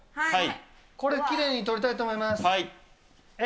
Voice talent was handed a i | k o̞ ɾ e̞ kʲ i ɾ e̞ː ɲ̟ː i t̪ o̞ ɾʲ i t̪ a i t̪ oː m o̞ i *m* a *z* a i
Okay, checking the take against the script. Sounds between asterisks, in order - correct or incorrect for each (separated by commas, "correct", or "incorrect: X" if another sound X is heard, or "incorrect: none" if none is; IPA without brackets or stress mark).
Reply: correct, incorrect: s